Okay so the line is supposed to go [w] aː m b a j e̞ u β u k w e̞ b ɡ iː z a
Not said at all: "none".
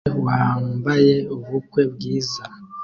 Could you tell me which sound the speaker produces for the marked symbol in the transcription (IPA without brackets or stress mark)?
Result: w